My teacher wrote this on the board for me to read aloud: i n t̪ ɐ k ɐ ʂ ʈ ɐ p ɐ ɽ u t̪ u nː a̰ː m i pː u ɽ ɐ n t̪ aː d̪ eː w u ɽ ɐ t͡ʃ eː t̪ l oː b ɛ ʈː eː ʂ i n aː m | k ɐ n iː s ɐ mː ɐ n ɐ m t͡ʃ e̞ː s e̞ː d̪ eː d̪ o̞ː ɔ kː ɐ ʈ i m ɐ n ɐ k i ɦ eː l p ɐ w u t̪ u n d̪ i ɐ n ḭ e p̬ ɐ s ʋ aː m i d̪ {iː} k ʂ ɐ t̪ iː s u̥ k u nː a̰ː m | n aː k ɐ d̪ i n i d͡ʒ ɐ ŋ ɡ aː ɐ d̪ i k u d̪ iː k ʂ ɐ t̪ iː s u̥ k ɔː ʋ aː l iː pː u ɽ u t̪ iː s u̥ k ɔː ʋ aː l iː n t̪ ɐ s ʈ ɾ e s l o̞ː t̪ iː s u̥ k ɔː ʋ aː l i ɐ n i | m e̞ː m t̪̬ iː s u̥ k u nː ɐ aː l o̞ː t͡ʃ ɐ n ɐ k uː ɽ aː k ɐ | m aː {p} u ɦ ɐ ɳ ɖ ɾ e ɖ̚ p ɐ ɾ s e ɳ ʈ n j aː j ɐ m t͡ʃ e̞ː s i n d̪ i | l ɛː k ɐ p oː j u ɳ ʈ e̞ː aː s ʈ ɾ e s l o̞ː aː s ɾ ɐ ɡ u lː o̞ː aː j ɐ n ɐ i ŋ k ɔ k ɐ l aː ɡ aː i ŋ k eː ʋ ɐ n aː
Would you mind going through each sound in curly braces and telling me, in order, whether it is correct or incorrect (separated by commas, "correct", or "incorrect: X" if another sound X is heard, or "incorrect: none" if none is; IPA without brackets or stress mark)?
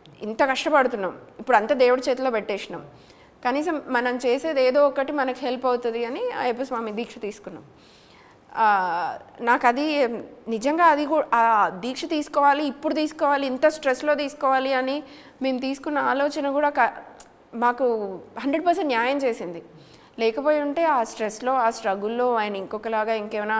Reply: correct, incorrect: k